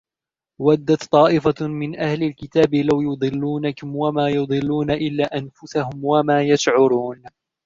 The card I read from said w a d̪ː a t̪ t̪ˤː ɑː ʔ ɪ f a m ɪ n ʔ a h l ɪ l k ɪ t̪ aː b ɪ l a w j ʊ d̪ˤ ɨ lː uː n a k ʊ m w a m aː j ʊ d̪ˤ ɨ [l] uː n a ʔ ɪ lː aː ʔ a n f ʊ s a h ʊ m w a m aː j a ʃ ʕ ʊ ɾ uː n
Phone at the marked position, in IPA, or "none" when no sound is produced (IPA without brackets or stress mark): lː